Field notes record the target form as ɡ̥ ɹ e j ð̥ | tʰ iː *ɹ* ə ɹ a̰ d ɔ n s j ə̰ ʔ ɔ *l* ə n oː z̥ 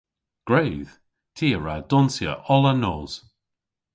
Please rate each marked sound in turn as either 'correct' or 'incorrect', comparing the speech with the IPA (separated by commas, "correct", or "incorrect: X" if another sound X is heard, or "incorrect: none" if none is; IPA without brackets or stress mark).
incorrect: none, correct